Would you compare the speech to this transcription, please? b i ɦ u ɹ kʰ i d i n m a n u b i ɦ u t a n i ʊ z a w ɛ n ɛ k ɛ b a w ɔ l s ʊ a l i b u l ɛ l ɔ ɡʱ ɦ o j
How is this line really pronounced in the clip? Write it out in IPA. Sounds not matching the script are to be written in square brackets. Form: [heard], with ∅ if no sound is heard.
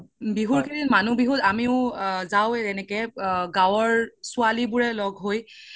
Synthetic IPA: b i ɦ u ɹ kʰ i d i n m a n u b i ɦ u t a [m] i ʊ z a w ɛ n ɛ k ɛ [ɡ] a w ɔ [ɹ] s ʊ a l i b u [ɹ] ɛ l ɔ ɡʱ ɦ o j